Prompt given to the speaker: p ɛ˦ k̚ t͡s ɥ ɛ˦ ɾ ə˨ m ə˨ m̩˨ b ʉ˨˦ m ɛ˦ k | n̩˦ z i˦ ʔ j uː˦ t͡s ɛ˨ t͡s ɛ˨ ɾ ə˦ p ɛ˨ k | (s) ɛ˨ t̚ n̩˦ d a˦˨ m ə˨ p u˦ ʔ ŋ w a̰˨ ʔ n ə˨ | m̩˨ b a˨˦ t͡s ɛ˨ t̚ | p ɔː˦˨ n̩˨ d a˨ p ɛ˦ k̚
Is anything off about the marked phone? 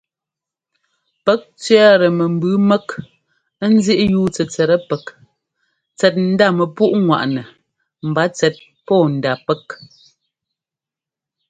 yes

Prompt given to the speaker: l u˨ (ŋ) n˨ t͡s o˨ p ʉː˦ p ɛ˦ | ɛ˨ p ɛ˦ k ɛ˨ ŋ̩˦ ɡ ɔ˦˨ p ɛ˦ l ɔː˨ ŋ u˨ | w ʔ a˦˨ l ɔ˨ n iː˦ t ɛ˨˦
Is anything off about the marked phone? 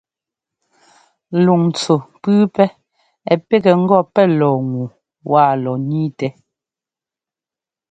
no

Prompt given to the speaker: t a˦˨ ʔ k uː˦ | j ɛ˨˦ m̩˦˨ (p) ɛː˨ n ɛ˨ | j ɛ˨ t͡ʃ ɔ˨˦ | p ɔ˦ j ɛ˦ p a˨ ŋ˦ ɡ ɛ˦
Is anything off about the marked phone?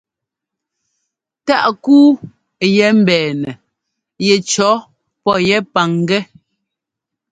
yes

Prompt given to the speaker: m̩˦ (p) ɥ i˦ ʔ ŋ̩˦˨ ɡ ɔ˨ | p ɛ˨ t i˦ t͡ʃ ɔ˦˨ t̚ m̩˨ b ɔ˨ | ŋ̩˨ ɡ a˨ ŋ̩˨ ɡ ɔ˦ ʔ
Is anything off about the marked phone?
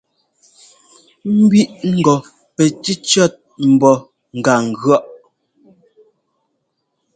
yes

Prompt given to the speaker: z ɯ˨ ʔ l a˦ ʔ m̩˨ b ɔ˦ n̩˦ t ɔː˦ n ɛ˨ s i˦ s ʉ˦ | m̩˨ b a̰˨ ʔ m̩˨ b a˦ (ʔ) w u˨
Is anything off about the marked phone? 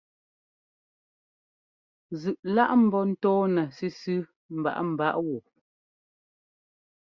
no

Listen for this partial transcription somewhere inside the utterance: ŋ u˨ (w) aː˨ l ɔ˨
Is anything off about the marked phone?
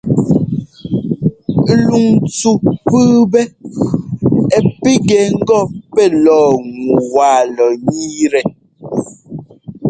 no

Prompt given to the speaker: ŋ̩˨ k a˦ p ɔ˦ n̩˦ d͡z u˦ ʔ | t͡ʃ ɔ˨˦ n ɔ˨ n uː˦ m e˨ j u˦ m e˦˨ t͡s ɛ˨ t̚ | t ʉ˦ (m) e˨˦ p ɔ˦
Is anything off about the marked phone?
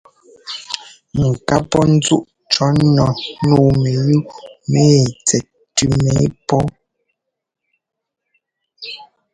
no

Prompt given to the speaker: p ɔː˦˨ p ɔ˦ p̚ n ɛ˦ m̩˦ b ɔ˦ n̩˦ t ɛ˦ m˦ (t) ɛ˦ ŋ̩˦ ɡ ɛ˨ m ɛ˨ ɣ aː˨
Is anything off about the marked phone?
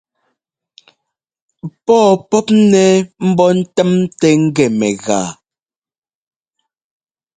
no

